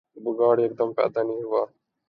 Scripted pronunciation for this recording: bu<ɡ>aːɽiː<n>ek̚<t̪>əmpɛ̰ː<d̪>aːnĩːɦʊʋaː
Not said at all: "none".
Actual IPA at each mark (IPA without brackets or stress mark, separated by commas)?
ɡ, none, d̪, d̪